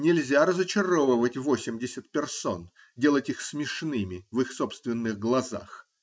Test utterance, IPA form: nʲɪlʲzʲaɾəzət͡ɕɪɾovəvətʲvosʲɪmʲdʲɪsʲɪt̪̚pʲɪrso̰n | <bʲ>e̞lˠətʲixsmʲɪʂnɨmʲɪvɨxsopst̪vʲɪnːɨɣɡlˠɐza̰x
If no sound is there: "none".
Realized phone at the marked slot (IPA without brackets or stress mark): dʲ